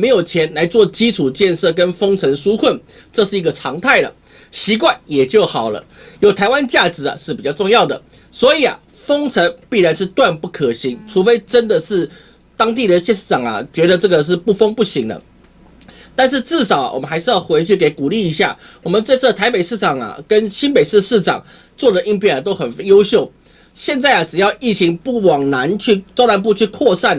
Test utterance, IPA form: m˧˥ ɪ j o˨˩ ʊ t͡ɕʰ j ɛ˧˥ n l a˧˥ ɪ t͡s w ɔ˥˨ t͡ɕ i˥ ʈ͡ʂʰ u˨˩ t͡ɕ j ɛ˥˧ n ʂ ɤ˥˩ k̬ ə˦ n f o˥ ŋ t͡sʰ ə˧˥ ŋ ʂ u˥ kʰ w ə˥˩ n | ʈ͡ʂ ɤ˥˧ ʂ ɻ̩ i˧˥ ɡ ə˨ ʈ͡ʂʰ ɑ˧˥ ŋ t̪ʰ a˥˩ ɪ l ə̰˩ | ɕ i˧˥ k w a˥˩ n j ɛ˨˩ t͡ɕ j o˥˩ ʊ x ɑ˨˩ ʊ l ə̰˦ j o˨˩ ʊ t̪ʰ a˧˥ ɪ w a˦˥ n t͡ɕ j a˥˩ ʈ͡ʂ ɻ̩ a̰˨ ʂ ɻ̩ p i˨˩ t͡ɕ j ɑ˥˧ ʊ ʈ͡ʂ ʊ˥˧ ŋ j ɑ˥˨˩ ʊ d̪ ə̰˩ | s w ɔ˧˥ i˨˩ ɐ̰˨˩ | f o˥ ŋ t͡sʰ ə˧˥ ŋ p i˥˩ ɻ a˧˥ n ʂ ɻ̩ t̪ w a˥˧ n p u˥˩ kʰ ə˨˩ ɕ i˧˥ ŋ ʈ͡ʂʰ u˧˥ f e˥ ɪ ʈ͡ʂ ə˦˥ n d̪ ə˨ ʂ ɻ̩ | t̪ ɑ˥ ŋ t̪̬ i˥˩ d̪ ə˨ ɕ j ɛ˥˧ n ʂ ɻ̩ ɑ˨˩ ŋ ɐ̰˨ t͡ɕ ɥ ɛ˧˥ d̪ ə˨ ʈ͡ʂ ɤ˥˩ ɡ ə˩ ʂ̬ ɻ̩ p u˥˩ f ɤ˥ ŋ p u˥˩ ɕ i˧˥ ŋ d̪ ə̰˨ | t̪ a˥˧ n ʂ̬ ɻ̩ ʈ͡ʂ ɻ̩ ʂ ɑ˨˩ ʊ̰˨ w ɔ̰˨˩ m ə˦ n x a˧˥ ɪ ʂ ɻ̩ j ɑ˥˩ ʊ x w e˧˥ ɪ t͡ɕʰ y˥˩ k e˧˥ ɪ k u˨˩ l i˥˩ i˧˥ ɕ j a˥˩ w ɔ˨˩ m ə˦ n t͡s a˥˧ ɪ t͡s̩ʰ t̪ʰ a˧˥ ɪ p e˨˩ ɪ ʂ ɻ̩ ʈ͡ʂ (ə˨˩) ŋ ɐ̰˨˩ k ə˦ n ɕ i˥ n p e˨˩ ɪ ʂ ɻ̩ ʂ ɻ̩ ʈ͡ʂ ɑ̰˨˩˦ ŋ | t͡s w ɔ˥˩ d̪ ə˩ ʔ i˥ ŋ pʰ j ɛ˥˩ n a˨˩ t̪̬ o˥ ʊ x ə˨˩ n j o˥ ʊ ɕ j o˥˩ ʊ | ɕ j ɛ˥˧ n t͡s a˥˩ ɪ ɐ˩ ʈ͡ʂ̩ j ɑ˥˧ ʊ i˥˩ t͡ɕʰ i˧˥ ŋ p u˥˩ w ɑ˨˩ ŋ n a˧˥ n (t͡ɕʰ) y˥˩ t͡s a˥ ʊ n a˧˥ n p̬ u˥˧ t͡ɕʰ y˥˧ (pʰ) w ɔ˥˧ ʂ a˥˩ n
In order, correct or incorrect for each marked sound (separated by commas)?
incorrect, correct, incorrect